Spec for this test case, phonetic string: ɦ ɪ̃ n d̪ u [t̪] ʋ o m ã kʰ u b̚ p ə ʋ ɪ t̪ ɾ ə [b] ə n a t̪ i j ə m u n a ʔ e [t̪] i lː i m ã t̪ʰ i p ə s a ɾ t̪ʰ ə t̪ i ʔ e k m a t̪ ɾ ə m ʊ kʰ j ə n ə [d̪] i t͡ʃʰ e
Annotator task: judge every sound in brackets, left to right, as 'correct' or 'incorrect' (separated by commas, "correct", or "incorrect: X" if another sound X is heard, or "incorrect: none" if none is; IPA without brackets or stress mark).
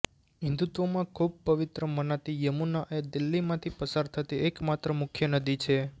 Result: correct, incorrect: m, incorrect: d̪, correct